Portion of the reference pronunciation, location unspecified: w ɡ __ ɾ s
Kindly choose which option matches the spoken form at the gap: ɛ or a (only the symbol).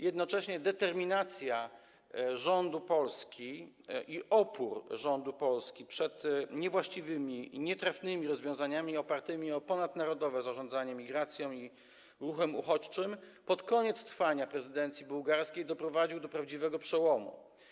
a